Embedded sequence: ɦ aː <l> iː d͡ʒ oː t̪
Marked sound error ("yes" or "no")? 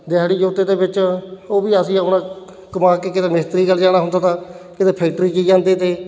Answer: yes